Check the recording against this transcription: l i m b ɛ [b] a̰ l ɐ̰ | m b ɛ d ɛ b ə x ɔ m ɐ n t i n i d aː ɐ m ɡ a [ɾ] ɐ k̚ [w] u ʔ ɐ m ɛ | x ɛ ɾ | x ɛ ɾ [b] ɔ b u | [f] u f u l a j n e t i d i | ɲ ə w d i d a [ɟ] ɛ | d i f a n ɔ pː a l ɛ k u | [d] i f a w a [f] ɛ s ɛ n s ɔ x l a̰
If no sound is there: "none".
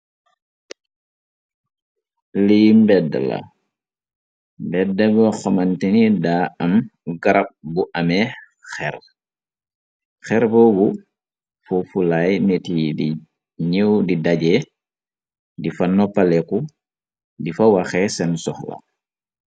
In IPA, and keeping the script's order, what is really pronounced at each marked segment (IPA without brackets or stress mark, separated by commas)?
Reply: d, ɾ, b, b, f, ɟ, d, x